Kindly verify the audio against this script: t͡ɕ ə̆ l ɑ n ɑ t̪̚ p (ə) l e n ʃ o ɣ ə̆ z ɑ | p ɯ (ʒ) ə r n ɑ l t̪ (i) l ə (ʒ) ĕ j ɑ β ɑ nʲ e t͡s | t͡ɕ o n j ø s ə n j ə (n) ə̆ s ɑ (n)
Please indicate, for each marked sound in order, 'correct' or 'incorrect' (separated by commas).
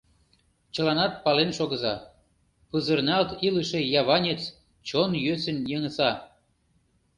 incorrect, incorrect, correct, incorrect, incorrect, incorrect